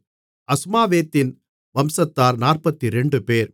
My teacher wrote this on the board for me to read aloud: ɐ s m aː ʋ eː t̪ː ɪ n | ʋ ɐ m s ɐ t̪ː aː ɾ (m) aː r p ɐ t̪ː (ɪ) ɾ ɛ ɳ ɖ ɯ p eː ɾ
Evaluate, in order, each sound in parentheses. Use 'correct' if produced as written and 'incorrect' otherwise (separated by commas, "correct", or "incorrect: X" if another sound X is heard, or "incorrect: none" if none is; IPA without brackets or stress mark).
incorrect: n, incorrect: i